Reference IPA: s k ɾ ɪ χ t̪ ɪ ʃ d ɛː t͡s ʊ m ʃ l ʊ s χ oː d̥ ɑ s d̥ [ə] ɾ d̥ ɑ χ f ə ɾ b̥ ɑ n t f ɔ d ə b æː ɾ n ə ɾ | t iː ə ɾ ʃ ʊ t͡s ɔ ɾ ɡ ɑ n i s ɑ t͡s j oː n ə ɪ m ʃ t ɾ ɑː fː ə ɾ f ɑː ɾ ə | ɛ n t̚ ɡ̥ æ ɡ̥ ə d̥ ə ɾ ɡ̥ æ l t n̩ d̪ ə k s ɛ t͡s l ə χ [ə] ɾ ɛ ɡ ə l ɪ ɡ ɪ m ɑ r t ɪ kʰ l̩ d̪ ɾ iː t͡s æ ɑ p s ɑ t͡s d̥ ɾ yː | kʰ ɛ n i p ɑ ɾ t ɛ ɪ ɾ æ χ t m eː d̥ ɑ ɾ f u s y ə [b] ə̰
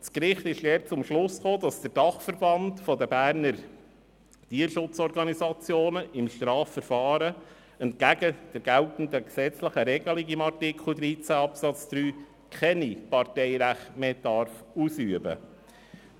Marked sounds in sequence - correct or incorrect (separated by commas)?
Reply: correct, correct, correct